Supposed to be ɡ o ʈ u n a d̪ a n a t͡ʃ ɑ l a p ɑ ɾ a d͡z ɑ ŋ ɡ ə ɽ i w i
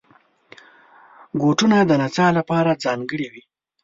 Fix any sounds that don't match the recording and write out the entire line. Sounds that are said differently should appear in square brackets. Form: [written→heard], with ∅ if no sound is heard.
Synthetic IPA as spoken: ɡ o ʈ u n a d̪ [a→ə] n a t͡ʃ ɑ l a p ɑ ɾ a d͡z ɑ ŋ ɡ ə ɽ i w i